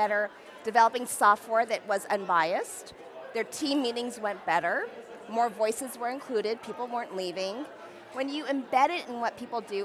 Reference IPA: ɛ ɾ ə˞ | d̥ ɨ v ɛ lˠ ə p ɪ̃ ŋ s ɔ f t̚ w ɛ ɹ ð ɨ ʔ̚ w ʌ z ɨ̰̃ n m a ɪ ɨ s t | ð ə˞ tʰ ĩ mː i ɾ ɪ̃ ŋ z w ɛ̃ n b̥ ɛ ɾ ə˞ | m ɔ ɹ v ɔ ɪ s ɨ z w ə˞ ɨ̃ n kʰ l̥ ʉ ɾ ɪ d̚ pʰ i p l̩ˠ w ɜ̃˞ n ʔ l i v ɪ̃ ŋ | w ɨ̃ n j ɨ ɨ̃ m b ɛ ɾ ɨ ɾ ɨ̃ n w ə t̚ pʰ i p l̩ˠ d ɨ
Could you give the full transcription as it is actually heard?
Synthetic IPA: ɛ ɾ ə˞ | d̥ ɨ v ɛ lˠ ə p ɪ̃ ŋ s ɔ f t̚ w ɛ ɹ ð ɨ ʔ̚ w ʌ z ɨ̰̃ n b a ɪ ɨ s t | ð ə˞ tʰ ĩ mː i ɾ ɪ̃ ŋ z w ɛ̃ n b̥ ɛ ɾ ə˞ | m ɔ ɹ v ɔ ɪ s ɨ z w ə˞ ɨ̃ n kʰ l̥ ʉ ɾ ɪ d̚ pʰ i p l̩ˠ w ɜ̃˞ n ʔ l i v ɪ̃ ŋ | w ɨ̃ n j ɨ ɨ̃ m b ɛ ɾ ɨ ɾ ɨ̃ n w ʌ t̚ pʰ i p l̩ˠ d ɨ

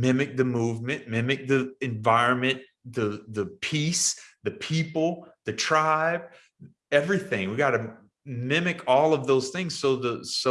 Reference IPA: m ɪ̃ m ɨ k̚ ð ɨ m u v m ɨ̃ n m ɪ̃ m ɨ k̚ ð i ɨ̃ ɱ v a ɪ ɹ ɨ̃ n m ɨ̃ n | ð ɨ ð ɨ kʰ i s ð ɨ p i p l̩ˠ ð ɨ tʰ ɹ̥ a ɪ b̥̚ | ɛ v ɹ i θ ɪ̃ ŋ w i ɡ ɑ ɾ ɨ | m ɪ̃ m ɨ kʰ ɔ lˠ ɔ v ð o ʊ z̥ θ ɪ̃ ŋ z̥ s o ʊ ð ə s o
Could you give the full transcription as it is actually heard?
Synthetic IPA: m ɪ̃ m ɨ k̚ ð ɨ m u v m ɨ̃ n m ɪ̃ m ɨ k̚ ð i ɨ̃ ɱ v a ɪ ɹ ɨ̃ n m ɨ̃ n | ð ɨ ð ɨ pʰ i s ð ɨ pʰ i p l̩ˠ ð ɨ tʰ ɹ̥ a ɪ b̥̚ | ɛ v ɹ i θ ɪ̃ ŋ w i ɡ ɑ ɾ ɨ | m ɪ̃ m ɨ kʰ ɔ lˠ ʌ v ð o ʊ z̥ θ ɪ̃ ŋ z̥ s o ʊ ð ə s o

